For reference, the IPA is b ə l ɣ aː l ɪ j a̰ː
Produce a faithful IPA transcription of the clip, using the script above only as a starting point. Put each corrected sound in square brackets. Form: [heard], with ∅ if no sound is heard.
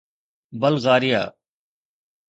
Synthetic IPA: b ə l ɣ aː [ɾ] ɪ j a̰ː